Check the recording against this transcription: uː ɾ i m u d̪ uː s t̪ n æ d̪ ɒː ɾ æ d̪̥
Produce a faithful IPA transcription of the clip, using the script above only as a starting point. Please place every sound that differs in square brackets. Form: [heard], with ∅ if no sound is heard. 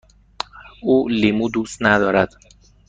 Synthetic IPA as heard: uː [l] i m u d̪ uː s t̪ n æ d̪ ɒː ɾ æ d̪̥